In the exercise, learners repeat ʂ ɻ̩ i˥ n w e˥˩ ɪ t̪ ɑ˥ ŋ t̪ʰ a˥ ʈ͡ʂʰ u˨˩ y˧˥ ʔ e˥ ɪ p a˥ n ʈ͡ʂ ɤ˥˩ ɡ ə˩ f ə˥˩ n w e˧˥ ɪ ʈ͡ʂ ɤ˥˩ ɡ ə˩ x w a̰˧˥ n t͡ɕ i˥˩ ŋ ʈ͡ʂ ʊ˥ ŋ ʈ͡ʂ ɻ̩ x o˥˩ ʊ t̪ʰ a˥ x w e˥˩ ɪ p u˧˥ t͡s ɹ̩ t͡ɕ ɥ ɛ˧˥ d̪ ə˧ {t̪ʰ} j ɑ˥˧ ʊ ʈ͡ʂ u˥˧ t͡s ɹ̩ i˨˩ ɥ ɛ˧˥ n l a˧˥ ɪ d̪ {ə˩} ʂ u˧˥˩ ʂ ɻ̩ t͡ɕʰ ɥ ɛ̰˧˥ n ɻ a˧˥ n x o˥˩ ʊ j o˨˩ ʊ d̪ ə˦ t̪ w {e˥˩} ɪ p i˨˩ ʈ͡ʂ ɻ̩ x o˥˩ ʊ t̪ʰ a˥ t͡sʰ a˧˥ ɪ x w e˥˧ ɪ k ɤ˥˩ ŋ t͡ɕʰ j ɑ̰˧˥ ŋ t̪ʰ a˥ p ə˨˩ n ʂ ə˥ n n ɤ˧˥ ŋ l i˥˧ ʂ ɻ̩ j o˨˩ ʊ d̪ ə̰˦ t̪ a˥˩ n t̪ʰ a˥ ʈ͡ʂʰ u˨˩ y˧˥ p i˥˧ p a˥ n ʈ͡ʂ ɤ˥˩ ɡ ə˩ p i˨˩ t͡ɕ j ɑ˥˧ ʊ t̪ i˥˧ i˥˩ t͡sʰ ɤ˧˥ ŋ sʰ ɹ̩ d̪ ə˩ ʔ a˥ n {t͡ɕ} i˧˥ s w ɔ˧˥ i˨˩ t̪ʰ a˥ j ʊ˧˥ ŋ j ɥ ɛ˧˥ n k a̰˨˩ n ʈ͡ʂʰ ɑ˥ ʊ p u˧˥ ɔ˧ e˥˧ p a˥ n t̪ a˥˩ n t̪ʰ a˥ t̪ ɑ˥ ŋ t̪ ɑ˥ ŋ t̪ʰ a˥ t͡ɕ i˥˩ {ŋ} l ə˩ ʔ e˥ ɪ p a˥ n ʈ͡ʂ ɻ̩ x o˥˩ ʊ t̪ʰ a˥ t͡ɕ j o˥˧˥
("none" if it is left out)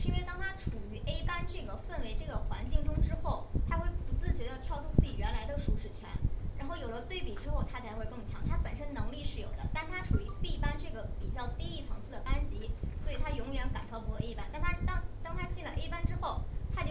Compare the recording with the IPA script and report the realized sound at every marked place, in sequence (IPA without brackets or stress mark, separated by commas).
t̪ʰ, ə˧, e˥˩, t͡ɕ, n